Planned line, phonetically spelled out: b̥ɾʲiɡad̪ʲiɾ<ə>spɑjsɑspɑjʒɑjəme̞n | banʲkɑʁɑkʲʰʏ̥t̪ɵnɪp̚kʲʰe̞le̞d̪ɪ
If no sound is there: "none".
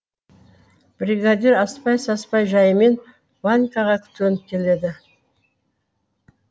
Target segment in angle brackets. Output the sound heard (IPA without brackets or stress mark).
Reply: ɑ